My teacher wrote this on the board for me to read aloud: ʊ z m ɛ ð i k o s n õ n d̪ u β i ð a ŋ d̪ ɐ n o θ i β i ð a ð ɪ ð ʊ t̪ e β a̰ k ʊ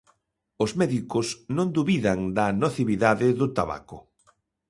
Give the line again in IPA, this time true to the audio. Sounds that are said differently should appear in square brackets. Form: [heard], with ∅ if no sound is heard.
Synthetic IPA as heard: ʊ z m ɛ ð i k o s n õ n d̪ u β i ð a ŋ d̪ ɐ n o θ i β i ð a ð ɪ ð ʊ t̪ [a] β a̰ k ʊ